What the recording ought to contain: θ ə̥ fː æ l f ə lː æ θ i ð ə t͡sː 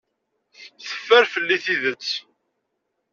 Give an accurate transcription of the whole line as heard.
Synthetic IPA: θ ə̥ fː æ ɾ f ə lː i θ i ð ə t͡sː